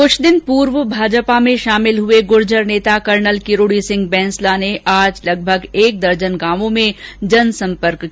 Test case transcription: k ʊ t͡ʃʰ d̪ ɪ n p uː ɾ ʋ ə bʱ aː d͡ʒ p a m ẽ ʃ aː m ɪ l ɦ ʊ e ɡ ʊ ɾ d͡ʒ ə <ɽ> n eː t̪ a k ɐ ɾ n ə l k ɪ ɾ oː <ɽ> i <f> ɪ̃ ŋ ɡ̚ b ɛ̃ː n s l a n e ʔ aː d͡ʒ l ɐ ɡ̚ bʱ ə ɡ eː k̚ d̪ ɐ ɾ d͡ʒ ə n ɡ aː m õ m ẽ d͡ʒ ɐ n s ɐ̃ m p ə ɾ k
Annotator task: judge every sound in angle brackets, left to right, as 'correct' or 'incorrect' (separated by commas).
incorrect, correct, incorrect